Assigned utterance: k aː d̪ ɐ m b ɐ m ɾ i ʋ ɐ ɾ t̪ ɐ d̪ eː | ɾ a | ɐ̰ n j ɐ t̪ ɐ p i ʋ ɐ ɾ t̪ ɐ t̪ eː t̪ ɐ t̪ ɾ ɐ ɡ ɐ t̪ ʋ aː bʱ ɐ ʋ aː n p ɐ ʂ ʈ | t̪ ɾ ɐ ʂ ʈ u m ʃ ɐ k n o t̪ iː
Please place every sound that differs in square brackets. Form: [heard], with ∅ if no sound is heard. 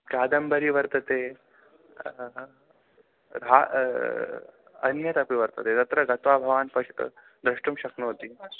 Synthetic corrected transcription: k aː d̪ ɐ m b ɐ [∅] ɾ i ʋ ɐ ɾ t̪ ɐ [t̪] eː | ɾ a | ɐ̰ n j ɐ t̪ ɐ p i ʋ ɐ ɾ t̪ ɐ t̪ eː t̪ ɐ t̪ ɾ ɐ ɡ ɐ t̪ ʋ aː bʱ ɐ ʋ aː n p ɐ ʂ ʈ | [d̪] ɾ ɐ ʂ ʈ u m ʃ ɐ k n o t̪ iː